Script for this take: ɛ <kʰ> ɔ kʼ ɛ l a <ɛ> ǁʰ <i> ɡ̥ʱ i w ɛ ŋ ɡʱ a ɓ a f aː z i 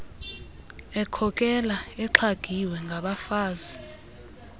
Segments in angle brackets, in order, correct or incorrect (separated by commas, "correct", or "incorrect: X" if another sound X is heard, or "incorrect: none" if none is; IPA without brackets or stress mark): correct, correct, incorrect: a